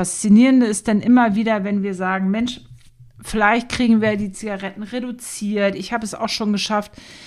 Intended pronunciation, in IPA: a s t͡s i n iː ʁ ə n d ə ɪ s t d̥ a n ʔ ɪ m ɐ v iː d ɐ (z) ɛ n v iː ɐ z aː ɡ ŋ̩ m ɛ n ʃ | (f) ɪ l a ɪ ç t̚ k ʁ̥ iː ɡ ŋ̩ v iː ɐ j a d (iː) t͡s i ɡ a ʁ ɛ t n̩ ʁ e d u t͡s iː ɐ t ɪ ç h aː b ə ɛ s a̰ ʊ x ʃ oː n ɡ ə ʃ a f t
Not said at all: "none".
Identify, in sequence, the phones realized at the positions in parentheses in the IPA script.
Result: v, f, iː

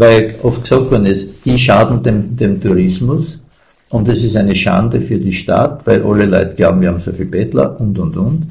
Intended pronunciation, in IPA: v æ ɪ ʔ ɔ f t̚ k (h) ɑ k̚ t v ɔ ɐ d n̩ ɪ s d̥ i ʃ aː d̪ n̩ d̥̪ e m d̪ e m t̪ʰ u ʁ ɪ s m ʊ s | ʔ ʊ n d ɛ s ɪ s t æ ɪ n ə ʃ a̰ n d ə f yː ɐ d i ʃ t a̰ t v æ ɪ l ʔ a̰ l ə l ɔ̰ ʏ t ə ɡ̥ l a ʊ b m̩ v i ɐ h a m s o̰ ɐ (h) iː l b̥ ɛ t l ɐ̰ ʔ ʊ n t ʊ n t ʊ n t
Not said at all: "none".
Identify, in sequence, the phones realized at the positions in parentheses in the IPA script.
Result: s, f

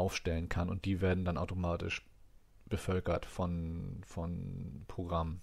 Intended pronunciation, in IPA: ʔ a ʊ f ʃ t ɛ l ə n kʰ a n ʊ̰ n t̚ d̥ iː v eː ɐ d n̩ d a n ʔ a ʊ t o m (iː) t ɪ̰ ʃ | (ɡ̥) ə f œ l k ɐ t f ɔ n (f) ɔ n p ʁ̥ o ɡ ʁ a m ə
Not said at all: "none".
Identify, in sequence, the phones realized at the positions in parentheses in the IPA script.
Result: aː, b̥, f

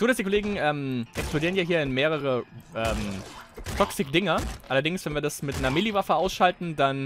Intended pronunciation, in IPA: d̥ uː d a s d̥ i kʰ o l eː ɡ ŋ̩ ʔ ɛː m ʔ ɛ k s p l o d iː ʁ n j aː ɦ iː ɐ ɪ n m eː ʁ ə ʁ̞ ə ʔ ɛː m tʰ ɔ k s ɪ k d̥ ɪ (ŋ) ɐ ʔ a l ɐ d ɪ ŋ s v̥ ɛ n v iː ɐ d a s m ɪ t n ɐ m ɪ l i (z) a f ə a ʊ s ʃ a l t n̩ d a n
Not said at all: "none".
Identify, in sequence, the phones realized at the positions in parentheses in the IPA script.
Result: ŋ, v

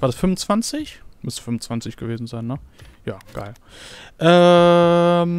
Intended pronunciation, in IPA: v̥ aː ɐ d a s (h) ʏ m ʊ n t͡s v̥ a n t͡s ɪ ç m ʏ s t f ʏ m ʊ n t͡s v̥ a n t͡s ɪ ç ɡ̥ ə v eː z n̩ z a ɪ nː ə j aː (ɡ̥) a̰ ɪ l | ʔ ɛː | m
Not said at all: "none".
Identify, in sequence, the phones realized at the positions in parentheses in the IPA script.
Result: f, ɡ̥

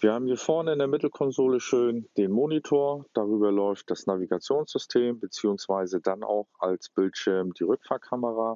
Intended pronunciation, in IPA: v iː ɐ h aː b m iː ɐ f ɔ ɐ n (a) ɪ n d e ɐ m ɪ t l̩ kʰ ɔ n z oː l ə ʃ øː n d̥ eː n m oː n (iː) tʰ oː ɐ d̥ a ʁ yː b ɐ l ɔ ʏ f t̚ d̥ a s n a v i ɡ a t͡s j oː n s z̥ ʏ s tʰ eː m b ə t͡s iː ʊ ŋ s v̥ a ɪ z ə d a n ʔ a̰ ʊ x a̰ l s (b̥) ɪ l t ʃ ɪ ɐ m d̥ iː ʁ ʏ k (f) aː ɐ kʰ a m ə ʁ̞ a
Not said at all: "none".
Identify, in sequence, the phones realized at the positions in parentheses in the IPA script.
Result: ə, i, b̥, f

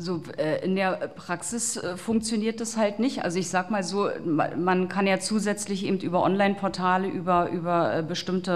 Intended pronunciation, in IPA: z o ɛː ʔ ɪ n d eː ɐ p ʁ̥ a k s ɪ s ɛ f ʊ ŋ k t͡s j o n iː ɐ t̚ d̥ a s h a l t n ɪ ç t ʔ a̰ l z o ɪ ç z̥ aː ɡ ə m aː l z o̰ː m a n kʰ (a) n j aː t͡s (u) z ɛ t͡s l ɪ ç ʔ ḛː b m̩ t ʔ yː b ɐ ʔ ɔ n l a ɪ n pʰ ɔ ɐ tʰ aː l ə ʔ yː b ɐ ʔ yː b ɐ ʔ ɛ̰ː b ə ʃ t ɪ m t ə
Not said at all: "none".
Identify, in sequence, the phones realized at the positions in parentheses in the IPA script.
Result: a, uː

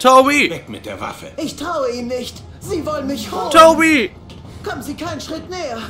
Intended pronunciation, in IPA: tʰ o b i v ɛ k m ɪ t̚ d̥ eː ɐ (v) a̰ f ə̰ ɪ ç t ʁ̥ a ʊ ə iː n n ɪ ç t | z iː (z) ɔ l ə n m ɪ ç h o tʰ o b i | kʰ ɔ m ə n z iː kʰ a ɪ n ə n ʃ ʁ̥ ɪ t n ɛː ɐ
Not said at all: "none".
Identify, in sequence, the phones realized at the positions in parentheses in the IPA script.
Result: v, v

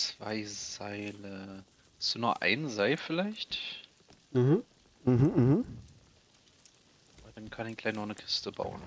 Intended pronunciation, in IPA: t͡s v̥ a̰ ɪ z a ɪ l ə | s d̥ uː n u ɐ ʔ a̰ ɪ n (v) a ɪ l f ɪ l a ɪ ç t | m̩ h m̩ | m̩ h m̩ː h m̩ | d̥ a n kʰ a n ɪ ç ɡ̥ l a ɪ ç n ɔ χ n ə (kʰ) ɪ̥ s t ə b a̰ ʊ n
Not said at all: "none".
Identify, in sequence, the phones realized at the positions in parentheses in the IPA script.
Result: z, kʰ

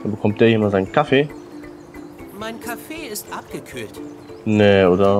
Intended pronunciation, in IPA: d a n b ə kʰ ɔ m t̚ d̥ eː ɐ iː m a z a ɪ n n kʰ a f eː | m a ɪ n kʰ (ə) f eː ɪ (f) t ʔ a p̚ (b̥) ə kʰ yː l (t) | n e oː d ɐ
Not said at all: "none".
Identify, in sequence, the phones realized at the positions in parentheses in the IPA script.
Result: a, s, ɡ̥, t

